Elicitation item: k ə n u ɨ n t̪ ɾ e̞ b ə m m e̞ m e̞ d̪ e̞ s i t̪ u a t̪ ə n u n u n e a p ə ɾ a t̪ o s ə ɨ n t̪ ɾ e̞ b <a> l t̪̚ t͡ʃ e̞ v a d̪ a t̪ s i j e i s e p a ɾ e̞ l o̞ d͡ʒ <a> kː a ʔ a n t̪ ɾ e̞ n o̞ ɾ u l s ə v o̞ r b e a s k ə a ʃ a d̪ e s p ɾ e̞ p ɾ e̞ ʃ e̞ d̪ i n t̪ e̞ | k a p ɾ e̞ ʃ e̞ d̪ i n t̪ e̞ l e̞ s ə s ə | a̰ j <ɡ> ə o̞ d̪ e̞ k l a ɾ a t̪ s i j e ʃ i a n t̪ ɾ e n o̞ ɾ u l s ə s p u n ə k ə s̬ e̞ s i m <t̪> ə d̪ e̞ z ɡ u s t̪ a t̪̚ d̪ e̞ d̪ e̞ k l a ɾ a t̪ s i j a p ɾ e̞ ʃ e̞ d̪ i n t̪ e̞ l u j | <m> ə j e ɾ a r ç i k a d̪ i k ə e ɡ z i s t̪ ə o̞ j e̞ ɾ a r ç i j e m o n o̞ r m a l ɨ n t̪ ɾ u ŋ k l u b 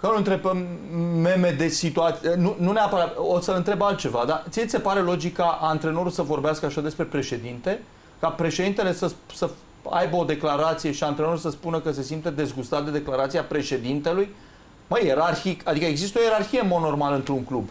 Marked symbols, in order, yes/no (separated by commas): yes, no, no, yes, yes